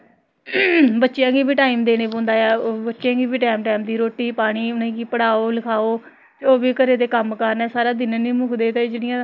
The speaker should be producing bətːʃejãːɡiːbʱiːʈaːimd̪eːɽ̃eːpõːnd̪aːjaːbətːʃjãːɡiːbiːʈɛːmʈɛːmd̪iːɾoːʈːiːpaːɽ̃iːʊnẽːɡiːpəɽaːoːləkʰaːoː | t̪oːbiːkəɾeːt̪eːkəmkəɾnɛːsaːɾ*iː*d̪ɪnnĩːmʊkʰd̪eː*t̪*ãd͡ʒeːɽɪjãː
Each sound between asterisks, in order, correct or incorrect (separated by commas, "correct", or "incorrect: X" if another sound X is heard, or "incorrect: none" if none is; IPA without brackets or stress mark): incorrect: aː, correct